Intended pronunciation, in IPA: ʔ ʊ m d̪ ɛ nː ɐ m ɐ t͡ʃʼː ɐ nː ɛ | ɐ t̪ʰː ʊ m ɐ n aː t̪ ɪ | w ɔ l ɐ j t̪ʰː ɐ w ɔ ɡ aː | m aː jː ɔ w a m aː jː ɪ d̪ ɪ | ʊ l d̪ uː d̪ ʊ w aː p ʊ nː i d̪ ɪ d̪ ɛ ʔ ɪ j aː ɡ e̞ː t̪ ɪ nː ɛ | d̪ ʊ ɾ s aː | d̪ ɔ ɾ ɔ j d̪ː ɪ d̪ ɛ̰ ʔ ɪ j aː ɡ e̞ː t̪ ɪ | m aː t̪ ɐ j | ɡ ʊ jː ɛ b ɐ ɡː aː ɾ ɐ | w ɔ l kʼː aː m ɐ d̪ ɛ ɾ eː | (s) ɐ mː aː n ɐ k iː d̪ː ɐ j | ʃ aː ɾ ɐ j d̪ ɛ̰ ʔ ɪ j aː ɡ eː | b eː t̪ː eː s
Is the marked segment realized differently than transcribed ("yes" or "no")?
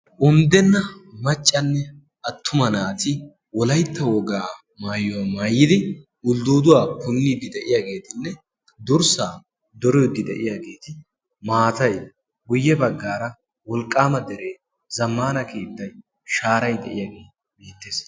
yes